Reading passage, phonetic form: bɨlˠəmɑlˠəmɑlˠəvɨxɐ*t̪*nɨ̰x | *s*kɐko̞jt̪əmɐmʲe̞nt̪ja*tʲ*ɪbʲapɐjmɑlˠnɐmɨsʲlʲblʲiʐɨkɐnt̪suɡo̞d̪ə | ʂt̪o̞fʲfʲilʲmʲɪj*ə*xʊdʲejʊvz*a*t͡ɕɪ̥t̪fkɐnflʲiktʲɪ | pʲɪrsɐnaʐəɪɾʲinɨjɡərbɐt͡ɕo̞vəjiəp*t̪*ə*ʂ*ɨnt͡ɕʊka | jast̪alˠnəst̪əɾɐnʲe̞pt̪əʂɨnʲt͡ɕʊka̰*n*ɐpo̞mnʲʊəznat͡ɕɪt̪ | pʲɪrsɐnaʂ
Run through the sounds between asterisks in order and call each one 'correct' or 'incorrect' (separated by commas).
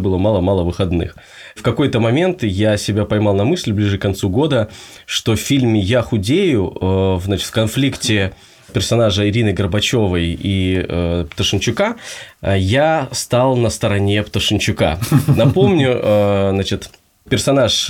incorrect, incorrect, incorrect, incorrect, correct, correct, correct, correct